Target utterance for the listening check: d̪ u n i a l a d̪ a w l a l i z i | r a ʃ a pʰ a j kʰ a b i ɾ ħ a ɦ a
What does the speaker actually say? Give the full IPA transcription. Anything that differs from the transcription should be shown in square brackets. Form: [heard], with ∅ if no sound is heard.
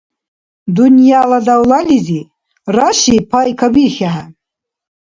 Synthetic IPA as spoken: d̪ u n [j] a l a d̪ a w l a l i z i | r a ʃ [i] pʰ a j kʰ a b i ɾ [x] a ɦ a

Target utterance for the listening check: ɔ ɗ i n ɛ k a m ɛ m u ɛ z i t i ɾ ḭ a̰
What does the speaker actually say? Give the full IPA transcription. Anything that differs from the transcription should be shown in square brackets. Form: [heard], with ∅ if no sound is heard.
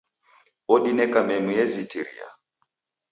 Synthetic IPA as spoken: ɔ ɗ i n ɛ k a m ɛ m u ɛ z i t i ɾ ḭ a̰

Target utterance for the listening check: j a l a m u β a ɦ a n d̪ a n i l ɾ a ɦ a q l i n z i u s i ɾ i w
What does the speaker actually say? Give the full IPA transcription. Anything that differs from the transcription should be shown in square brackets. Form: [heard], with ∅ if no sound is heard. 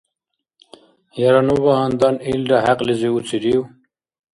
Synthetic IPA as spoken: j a [ɾ] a [n] u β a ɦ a n d̪ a n i l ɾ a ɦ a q l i [∅] z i u [t͡s] i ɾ i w

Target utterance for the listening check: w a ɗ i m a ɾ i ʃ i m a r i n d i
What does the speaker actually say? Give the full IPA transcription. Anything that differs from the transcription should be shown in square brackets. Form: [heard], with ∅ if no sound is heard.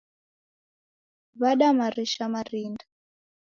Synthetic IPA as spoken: [β] a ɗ [a] m a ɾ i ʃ [a] m a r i n d [a]

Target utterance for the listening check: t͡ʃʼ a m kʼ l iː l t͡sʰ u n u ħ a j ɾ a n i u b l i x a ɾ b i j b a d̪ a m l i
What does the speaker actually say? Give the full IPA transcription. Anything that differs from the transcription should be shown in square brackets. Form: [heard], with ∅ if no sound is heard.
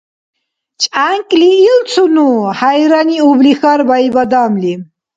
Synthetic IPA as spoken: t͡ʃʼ a [ŋ] kʼ l iː l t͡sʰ u n u [h] a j ɾ a n i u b l i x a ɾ b [a] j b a d̪ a m l i

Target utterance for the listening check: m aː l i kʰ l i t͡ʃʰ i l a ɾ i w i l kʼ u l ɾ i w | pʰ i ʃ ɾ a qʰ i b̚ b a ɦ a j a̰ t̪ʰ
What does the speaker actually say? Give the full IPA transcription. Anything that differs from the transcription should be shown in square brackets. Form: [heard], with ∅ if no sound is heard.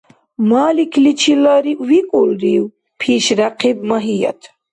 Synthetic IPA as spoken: m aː l i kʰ l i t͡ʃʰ i l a ɾ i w i [∅] kʼ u l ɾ i w | pʰ i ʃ ɾ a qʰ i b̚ [m] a ɦ [i] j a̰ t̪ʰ

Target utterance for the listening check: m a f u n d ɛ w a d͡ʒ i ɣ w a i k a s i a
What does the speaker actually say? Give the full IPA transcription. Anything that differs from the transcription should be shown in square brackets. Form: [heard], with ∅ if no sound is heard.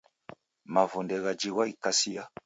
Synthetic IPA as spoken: m a [v] u n d ɛ [ɣ] a d͡ʒ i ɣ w a i k a s i a

